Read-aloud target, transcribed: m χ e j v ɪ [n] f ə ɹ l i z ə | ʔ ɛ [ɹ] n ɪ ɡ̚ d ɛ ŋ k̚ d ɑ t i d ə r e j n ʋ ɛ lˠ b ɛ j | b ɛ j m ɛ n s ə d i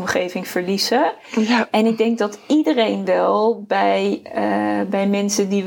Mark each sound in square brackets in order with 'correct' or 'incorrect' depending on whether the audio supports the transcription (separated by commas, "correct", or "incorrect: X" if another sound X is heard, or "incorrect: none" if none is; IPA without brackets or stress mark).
incorrect: ŋ, incorrect: none